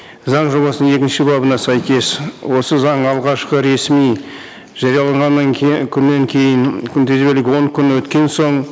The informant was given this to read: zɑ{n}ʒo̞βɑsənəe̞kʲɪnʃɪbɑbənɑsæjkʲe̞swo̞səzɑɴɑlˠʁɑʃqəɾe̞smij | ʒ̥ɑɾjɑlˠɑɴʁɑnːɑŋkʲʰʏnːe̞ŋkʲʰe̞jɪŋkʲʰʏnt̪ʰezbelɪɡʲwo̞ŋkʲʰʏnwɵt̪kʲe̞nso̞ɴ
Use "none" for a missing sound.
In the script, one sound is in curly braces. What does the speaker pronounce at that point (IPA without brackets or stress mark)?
ɴ